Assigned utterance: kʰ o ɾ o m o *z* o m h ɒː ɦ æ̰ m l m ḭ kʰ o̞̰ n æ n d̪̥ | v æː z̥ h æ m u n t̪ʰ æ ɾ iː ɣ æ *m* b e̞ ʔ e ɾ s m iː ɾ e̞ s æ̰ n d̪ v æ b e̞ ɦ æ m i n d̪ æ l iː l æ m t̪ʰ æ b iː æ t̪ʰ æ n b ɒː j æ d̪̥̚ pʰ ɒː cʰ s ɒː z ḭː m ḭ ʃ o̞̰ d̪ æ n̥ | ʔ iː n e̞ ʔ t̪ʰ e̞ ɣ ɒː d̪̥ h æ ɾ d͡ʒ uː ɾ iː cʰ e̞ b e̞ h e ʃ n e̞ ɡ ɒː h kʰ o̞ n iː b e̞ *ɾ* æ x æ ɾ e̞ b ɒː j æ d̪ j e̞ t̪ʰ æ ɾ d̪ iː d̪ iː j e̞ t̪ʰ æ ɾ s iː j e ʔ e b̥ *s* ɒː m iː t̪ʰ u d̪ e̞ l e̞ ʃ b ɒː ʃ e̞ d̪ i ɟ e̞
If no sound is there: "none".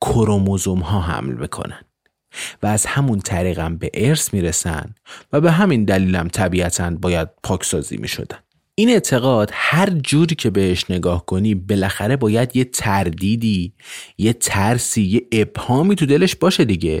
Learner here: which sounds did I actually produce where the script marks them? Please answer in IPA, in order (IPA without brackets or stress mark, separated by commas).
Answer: z, m, l, h